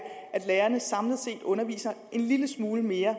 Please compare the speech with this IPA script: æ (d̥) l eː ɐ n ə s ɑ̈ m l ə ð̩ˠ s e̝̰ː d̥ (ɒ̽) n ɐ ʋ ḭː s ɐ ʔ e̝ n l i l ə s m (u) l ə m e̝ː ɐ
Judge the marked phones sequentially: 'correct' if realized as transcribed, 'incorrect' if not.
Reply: correct, incorrect: ɔ̽, incorrect: uː

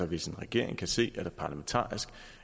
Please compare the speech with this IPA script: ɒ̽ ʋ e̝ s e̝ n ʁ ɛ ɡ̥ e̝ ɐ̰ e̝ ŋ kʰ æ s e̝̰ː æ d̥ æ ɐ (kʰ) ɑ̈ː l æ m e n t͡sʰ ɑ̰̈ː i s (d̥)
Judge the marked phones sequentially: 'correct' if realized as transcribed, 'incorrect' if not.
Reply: incorrect: pʰ, incorrect: ɡ̥

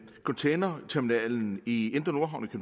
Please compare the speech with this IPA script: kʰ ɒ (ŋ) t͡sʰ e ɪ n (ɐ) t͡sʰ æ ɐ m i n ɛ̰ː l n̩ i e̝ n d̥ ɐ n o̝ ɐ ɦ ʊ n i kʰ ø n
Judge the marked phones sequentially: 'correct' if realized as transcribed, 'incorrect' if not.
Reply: incorrect: n, correct

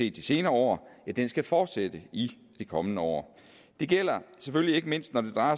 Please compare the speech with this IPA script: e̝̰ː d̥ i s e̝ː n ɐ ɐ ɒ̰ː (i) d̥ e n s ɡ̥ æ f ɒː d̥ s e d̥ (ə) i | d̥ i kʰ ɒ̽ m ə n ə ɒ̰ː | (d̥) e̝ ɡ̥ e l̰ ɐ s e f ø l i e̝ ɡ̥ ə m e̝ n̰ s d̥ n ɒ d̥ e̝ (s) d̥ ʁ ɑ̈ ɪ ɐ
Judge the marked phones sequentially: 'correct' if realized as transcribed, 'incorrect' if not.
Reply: incorrect: æ, correct, correct, incorrect: none

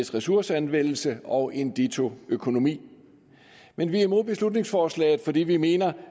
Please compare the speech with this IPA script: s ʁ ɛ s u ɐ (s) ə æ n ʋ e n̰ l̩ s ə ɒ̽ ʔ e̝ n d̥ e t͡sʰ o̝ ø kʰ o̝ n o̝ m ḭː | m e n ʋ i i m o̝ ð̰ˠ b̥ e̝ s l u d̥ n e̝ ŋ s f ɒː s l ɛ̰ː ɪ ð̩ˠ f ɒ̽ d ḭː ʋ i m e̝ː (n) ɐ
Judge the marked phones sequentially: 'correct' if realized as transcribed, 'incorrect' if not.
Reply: correct, correct

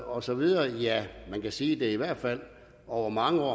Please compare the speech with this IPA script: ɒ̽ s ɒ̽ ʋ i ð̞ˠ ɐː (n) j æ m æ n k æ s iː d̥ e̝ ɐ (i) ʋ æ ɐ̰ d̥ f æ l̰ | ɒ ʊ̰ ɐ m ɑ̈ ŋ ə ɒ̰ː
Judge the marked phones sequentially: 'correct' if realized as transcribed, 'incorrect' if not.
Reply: incorrect: none, correct

